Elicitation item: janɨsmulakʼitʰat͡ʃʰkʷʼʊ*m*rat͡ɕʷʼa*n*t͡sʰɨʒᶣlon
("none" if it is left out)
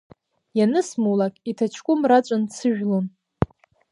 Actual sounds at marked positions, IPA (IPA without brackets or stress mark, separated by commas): m, n